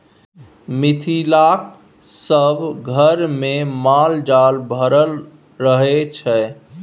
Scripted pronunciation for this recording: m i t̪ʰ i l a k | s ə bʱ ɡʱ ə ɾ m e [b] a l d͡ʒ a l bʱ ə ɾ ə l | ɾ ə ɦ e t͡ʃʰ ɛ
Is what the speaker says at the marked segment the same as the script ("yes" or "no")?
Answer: no